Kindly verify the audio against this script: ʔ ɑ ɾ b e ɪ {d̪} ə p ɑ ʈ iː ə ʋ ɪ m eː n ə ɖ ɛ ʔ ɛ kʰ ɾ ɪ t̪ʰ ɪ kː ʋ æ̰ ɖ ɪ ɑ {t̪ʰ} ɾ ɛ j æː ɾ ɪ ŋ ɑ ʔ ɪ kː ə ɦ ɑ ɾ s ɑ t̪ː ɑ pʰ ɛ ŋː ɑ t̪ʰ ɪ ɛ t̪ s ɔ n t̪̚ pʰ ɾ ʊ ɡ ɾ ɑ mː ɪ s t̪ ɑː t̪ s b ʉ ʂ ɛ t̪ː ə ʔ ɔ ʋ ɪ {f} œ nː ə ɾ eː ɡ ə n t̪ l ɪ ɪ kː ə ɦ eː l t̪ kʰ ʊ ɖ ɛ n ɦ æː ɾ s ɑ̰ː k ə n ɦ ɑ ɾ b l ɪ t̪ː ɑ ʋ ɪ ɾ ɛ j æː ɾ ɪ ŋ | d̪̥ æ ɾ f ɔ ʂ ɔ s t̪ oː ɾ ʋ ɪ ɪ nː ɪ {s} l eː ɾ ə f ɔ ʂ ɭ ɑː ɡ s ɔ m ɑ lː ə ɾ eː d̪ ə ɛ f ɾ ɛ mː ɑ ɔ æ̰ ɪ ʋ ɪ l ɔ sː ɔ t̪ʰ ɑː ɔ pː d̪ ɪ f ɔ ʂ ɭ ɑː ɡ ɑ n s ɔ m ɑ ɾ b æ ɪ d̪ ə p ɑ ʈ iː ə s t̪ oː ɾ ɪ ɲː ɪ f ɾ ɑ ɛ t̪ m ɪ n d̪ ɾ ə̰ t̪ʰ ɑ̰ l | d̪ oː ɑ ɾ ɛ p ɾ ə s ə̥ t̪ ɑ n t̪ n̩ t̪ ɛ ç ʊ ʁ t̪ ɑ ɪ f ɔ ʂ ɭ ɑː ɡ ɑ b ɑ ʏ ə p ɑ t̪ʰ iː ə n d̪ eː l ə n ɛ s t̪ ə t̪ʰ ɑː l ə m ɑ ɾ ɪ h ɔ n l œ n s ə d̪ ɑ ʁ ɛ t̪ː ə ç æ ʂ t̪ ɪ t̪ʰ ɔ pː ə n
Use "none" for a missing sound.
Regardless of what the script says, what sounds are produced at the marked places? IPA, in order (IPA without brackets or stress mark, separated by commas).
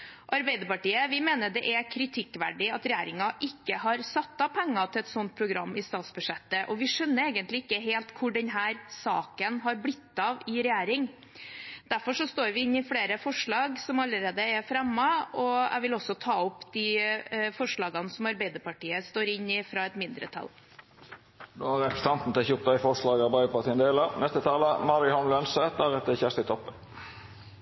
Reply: d̪, t̪, ʂ, f